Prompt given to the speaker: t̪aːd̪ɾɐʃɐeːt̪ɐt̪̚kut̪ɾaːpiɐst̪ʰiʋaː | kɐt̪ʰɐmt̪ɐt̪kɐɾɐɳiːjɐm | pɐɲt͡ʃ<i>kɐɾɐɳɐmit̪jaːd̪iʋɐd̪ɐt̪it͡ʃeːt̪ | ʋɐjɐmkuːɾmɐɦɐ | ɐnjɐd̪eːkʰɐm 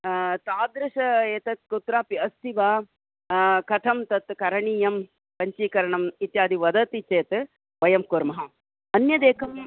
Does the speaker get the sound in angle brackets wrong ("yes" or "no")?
yes